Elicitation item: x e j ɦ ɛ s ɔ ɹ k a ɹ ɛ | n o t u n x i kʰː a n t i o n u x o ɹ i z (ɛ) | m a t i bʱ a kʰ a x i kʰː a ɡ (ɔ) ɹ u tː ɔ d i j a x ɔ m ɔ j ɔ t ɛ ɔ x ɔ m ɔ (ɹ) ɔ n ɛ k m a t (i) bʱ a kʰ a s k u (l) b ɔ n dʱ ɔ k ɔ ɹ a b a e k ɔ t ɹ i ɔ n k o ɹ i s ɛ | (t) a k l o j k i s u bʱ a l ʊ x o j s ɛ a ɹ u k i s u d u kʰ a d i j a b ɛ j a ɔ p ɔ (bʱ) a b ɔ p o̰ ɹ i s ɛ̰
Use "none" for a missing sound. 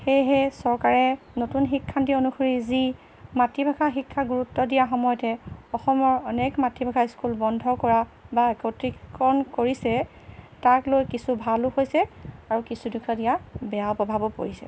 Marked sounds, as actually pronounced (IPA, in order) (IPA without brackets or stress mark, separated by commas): i, u, ɹ, i, l, t, bʱ